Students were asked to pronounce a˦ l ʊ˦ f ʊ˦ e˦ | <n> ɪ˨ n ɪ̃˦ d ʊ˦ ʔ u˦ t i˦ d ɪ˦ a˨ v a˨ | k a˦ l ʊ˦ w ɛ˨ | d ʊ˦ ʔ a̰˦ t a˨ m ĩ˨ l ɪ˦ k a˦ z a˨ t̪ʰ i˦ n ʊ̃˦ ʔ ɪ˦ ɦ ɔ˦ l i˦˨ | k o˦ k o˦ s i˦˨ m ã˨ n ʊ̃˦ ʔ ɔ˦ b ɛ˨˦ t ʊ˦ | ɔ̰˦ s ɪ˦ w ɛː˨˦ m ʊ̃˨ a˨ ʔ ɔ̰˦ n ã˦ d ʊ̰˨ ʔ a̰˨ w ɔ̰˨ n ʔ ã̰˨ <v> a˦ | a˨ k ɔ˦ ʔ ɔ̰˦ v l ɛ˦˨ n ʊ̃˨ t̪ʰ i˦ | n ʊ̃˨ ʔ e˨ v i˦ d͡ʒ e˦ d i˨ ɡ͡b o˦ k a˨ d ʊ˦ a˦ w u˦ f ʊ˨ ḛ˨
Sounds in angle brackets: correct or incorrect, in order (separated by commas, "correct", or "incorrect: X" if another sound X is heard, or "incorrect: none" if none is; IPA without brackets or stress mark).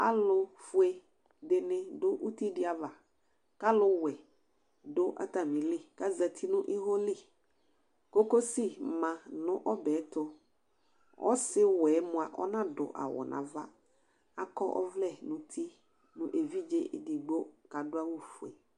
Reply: incorrect: d, correct